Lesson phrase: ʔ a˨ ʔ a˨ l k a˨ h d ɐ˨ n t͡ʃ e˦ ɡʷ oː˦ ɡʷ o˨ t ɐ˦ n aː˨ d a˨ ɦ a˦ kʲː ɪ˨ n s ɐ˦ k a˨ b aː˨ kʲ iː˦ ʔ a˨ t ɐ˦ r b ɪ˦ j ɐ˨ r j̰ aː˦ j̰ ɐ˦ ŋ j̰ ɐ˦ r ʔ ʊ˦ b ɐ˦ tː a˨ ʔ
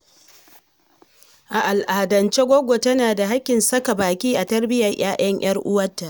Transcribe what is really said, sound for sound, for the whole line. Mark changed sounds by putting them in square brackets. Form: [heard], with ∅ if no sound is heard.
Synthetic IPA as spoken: ʔ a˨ ʔ a˨ l [ʔ] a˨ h d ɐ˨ n t͡ʃ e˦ ɡʷ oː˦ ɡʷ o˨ t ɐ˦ n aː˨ d a˨ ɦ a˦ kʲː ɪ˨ n s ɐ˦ k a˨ b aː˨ kʲ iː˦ ʔ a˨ t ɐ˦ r b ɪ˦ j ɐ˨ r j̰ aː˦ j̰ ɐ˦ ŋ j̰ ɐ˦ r ʔ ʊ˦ [w] ɐ˦ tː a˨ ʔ